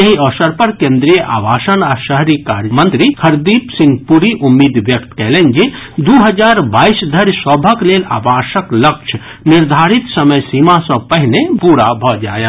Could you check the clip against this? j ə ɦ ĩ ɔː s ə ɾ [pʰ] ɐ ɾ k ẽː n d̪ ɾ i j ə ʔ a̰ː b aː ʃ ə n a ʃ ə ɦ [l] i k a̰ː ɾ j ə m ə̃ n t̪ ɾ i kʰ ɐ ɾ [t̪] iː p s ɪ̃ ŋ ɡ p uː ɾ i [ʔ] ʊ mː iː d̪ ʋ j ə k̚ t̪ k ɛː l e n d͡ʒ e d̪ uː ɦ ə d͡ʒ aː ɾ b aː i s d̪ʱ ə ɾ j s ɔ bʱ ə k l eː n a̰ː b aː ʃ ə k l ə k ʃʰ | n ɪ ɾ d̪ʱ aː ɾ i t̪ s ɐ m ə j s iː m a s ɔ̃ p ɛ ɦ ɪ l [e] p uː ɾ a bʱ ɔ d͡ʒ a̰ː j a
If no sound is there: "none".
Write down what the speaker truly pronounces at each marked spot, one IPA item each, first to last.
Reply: p, ɾ, d̪, ʔ, e

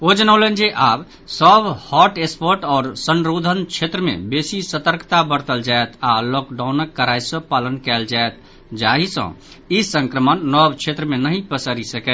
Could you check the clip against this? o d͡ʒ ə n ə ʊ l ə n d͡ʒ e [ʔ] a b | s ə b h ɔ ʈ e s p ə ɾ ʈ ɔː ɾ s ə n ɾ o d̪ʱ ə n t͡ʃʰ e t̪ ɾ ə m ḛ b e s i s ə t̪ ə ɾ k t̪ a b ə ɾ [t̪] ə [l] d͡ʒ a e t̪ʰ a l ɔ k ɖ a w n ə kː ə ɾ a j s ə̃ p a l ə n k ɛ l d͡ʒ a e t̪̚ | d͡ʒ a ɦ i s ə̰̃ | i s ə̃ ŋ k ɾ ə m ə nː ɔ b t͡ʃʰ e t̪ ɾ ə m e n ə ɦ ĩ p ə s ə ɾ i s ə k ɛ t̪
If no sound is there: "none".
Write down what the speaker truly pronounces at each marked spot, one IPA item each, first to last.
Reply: ʔ, t̪, l

